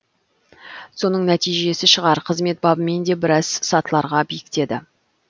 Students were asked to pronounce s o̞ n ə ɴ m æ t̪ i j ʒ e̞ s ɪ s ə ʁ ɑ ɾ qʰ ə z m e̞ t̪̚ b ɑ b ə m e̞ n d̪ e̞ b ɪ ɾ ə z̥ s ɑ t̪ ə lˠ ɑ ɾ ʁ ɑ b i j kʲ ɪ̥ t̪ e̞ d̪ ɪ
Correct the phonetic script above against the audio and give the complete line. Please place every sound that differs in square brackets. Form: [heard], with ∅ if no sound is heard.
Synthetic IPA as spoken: s o̞ n ə ɴ [n] æ t̪ i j ʒ e̞ s ɪ [ʃ] ə ʁ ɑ ɾ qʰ ə z m e̞ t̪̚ b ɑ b ə m e̞ n d̪ e̞ b ɪ ɾ [ɑ] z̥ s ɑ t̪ ə lˠ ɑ ɾ ʁ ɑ b i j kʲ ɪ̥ t̪ e̞ d̪ ɪ